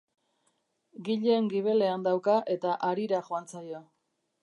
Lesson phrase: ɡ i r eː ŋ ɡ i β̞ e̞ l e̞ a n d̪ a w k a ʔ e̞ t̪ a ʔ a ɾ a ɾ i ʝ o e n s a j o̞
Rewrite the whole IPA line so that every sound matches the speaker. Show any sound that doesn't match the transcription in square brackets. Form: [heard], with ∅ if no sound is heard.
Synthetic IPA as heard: ɡ i [ʎ] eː ŋ ɡ i β̞ e̞ l e̞ a n d̪ a w k a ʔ e̞ t̪ a ʔ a ɾ [i] ɾ [a] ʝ o [a] n [t͡s] a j o̞